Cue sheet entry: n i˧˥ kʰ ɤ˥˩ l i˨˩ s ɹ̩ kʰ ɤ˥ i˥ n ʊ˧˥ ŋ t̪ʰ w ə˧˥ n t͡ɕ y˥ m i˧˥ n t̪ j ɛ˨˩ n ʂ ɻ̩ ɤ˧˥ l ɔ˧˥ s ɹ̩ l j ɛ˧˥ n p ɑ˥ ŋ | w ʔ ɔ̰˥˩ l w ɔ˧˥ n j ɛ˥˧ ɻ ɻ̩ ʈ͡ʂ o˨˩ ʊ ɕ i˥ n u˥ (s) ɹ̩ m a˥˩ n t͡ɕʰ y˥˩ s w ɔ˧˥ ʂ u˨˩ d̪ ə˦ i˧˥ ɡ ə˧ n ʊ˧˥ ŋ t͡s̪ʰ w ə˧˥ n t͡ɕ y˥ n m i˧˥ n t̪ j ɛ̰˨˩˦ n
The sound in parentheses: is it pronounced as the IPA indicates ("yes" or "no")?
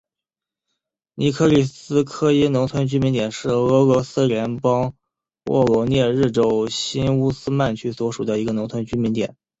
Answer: yes